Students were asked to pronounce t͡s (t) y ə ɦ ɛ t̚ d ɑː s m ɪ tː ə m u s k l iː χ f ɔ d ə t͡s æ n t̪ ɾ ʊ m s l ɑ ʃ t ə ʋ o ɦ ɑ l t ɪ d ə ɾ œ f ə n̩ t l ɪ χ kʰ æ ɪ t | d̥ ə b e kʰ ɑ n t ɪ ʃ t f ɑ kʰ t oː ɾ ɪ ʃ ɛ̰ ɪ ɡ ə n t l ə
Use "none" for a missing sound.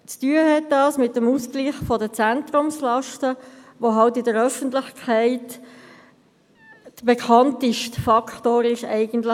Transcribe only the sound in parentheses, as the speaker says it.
t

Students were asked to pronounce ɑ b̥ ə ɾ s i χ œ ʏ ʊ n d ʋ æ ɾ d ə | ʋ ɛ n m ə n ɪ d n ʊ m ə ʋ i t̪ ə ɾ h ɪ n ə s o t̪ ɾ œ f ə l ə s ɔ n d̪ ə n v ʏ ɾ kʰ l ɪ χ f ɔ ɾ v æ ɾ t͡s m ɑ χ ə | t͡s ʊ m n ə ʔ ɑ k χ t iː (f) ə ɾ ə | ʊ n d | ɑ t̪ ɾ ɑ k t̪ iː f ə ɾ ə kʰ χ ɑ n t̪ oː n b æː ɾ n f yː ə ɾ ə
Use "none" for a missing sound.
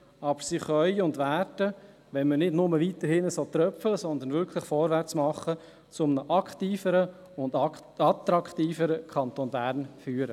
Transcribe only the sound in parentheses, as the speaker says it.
f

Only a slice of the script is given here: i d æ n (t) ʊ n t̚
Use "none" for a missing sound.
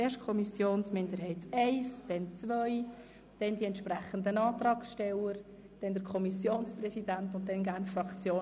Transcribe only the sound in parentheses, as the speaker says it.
t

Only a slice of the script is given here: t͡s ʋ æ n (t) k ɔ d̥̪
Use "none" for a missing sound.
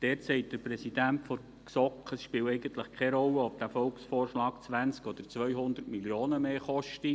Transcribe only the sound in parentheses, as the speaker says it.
t͡s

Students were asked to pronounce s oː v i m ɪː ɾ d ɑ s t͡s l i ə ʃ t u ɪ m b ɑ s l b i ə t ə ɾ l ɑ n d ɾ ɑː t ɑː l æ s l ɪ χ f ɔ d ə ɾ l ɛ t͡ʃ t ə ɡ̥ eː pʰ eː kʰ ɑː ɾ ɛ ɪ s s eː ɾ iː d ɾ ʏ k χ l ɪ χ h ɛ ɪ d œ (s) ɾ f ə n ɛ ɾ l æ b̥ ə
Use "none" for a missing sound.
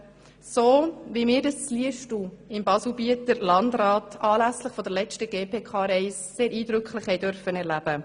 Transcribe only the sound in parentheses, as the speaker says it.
none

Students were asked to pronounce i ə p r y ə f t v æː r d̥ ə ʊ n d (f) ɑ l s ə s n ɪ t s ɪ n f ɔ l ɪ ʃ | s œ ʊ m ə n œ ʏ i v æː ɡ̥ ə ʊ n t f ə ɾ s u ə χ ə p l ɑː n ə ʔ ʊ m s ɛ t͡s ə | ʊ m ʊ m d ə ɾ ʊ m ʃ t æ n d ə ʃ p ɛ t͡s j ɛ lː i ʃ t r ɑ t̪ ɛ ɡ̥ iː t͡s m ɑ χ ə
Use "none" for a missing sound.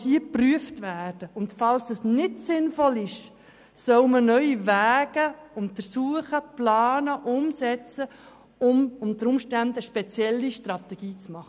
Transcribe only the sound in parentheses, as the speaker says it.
f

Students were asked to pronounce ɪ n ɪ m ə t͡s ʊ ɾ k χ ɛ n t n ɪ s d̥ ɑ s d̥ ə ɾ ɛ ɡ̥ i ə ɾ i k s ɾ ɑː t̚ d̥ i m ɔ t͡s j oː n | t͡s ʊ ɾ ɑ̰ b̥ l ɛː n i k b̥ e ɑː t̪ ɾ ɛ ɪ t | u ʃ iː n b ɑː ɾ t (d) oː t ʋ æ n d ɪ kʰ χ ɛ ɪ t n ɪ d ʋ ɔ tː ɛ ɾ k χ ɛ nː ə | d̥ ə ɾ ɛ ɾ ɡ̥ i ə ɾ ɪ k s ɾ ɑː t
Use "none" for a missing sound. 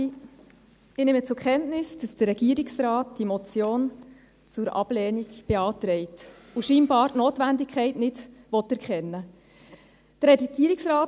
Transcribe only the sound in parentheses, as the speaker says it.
n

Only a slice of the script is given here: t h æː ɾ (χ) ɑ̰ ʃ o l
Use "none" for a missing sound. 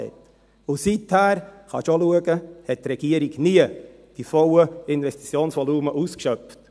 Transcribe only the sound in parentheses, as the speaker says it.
χ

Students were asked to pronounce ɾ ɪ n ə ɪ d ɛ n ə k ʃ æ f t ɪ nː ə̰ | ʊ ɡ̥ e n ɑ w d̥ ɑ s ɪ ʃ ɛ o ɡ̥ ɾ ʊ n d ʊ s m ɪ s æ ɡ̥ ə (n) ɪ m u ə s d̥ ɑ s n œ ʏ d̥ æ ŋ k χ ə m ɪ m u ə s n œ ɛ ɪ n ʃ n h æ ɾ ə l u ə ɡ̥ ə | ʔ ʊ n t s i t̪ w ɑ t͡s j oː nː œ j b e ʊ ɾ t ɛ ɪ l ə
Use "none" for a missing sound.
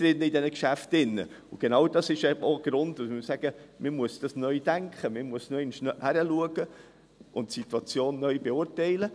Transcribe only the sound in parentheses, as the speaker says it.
m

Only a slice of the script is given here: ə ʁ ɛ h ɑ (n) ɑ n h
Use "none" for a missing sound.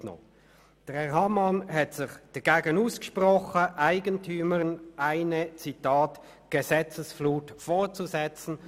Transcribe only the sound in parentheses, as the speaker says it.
m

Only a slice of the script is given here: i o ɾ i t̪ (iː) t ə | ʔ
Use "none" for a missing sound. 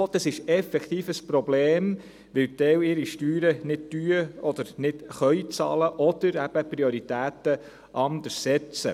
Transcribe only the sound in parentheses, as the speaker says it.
æː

